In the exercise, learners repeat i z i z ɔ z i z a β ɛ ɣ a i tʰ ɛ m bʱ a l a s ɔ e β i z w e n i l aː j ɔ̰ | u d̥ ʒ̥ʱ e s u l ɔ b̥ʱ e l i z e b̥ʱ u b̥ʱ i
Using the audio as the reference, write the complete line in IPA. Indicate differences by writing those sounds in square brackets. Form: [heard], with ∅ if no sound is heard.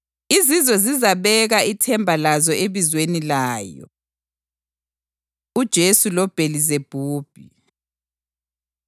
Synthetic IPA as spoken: i z i z ɔ z i z a β ɛ ɣ a i tʰ ɛ m bʱ a l a [z] ɔ e β i z w e n i l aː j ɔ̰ | u d̥ ʒ̥ʱ e s u l ɔ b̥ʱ e l i z e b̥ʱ [uː] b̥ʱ i